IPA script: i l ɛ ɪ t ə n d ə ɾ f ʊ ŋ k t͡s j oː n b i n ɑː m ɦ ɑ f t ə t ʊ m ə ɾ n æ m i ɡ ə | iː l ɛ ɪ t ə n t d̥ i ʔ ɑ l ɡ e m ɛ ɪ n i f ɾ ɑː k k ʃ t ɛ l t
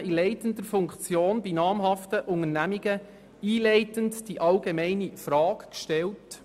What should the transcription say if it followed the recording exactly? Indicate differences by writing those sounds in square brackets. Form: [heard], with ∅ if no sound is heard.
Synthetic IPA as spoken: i l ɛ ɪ t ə n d ə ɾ f ʊ ŋ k t͡s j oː n b i n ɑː m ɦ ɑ f t ə [ʔ] ʊ [ŋ] ə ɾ n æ m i ɡ ə | iː l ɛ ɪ t ə n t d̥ i ʔ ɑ l ɡ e m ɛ ɪ n i f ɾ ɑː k k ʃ t ɛ l t